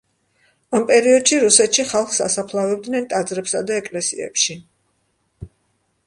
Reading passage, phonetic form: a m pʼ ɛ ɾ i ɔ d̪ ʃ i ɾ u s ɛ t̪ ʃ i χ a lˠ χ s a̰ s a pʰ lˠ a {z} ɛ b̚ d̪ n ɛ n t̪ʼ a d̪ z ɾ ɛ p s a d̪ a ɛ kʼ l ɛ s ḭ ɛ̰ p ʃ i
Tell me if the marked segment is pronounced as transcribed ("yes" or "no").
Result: no